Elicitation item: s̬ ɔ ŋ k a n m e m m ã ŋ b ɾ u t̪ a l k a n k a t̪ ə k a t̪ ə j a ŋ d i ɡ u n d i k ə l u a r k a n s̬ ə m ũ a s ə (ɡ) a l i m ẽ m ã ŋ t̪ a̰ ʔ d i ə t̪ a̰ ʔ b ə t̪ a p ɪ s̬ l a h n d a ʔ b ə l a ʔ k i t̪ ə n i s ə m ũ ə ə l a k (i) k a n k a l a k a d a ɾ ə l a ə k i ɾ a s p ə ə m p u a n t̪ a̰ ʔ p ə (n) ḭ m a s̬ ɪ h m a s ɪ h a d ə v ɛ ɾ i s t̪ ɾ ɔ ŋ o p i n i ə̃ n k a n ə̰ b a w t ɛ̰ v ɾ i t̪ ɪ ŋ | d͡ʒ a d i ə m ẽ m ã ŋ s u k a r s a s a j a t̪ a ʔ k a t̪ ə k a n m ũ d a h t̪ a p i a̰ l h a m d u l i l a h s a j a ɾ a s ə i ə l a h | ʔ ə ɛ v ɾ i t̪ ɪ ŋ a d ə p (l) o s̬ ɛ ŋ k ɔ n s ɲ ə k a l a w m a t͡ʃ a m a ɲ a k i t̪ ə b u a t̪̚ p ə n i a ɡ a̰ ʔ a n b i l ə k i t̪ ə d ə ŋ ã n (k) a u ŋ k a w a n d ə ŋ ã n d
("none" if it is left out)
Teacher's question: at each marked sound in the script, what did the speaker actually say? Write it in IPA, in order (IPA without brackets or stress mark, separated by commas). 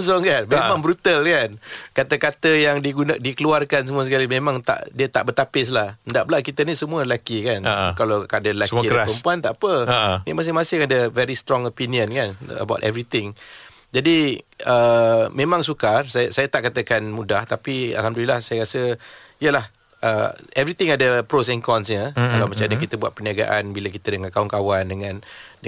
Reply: k, i, n, ɾ, k